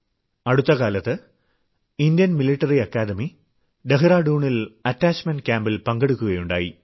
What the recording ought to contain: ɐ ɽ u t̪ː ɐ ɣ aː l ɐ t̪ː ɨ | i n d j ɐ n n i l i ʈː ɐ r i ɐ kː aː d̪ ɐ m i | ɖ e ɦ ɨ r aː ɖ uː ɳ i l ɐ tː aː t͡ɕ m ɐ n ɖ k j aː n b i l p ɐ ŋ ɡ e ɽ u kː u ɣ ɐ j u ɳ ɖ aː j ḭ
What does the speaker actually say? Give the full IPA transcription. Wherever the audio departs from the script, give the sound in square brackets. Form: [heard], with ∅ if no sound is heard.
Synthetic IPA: ɐ ɽ u t̪ː ɐ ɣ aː l ɐ t̪ː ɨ | i n d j ɐ n [m] i l i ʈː ɐ r i ɐ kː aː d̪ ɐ m i | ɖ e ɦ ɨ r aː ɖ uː ɳ i l ɐ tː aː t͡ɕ m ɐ n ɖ k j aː [m] b i l p ɐ ŋ ɡ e ɽ u kː u ɣ ɐ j u ɳ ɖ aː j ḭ